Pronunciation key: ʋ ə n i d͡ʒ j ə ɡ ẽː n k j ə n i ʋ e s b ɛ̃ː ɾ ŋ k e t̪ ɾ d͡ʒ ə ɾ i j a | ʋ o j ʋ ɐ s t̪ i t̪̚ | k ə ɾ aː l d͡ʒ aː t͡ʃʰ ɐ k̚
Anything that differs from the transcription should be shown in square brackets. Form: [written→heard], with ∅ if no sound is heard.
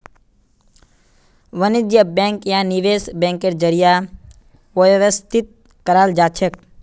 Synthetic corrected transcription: ʋ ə n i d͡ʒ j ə [ɡ→b] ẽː [n→ŋ] k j [ə→a] n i ʋ e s b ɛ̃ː [ɾ→∅] ŋ k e [t̪→∅] ɾ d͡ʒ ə ɾ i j a | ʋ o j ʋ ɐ s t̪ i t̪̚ | k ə ɾ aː l d͡ʒ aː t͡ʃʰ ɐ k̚